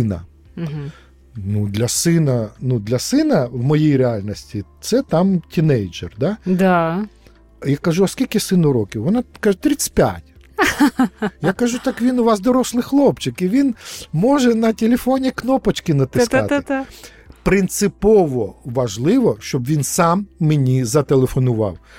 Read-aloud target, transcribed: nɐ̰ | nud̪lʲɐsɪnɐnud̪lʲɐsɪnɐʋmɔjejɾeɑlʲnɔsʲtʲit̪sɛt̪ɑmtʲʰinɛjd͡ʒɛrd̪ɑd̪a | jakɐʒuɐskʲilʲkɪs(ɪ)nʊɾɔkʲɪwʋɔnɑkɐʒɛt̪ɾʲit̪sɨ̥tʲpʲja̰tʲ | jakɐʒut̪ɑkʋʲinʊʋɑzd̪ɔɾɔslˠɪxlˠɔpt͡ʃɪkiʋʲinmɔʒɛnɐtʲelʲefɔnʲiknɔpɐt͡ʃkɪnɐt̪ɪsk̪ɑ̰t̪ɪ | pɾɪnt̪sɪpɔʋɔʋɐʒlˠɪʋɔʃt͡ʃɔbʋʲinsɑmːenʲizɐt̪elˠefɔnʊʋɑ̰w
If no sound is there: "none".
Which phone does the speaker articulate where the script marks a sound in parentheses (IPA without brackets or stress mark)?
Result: ɪ